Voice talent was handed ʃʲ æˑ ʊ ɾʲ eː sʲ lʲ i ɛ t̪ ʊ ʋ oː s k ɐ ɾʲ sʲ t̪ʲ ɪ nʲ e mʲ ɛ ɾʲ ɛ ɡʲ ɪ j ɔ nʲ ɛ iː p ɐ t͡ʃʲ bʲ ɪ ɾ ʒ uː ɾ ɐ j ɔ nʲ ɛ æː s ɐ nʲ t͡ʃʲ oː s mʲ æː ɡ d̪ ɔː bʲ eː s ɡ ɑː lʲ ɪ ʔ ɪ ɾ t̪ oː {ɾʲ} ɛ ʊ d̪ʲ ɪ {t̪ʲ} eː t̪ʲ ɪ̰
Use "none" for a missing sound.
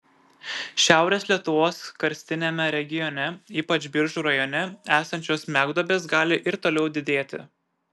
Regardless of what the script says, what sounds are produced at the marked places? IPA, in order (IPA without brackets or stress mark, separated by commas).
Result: lʲ, d̪ʲ